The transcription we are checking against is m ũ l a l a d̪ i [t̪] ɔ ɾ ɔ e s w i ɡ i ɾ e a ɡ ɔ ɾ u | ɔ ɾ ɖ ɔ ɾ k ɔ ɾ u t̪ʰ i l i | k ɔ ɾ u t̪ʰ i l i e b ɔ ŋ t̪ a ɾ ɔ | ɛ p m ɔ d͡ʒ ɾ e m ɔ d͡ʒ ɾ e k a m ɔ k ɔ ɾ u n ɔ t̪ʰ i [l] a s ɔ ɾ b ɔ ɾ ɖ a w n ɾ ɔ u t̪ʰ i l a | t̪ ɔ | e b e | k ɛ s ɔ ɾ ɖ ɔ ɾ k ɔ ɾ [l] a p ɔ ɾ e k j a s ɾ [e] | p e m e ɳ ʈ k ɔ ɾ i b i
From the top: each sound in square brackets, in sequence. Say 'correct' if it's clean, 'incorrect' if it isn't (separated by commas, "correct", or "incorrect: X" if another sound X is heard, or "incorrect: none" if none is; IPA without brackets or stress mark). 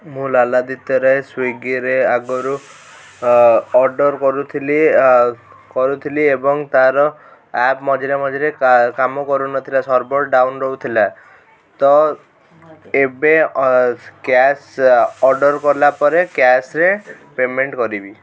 correct, correct, correct, correct